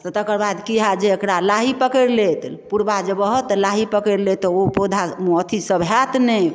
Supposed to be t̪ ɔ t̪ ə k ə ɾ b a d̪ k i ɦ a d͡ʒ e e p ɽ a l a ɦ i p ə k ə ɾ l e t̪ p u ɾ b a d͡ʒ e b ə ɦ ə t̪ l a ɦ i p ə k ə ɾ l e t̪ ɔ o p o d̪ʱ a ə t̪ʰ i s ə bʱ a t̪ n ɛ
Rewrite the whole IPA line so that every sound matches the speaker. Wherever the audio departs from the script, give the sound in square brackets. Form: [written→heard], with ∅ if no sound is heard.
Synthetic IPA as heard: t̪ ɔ t̪ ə k ə ɾ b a d̪ k i ɦ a d͡ʒ e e [p→k] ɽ a l a ɦ i p ə k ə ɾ l e t̪ p u ɾ b a d͡ʒ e b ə ɦ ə t̪ l a ɦ i p ə k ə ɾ l e t̪ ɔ o p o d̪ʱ a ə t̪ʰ i s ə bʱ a t̪ n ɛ